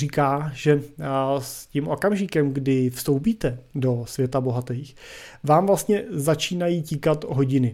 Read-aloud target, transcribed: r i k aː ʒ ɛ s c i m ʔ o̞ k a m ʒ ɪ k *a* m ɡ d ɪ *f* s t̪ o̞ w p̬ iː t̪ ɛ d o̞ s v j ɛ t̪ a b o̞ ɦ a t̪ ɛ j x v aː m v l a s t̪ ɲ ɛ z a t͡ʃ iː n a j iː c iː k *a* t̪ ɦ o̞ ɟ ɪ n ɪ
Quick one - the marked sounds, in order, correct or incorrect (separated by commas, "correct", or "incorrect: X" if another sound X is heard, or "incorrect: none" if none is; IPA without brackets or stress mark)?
incorrect: ɛ, correct, correct